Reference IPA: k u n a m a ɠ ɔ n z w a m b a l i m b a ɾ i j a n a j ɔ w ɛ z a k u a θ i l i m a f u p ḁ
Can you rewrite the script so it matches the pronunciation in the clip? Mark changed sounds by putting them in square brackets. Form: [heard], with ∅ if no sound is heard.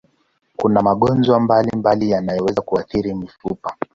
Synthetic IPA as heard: k u n a m a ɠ ɔ n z w a m b a l i m b a [l] i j a n a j ɔ w ɛ z a k u a θ i [ɾ] i m [i] f u p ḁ